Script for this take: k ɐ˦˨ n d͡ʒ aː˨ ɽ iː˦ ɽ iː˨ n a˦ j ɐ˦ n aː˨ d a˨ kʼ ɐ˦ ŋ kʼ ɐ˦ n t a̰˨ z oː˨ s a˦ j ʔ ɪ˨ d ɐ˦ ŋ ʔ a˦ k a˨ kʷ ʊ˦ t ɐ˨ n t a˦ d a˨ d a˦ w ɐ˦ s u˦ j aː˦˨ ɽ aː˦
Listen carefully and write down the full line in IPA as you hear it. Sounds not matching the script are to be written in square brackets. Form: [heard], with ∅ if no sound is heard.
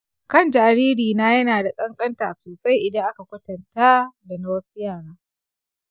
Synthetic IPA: k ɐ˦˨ n d͡ʒ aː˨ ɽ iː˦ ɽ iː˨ n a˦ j ɐ˦ n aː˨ d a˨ kʼ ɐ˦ ŋ kʼ ɐ˦ n t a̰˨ [s] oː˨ s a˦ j ʔ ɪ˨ d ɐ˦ ŋ ʔ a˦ k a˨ kʷ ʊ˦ t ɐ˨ n t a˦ d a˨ [n] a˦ w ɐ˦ s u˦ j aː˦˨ ɽ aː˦